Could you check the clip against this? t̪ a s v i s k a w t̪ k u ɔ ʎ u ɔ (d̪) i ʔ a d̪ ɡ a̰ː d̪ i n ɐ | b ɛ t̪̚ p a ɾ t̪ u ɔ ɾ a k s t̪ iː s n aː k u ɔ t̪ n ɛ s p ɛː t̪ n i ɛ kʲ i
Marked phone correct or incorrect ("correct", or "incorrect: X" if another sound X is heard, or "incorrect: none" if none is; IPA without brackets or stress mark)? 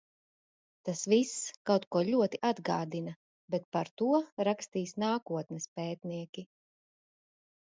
incorrect: t̪